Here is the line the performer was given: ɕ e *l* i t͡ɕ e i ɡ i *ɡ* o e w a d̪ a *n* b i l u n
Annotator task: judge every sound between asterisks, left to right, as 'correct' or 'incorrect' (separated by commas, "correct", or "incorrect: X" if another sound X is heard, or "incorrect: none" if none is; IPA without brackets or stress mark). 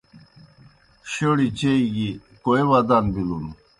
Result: incorrect: ɽ, incorrect: k, correct